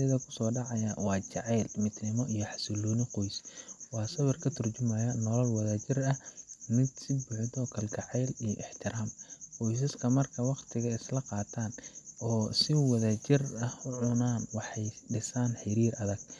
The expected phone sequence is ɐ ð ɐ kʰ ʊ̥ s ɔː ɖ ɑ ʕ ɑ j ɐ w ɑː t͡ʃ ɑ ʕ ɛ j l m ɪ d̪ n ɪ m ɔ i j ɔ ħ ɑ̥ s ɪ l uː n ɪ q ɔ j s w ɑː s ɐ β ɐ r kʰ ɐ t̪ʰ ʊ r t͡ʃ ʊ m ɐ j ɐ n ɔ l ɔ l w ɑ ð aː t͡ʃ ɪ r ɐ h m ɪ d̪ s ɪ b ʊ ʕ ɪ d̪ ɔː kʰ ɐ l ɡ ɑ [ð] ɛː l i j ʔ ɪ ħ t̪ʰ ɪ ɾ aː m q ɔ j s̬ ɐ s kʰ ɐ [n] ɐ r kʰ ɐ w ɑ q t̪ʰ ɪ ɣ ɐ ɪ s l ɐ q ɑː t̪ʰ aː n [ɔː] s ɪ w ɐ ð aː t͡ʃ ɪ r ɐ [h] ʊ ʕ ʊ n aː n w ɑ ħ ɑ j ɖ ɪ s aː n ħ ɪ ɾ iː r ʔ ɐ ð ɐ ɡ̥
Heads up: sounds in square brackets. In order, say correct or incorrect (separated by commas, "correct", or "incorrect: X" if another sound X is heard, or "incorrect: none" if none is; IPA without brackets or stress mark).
incorrect: ʕ, incorrect: m, correct, correct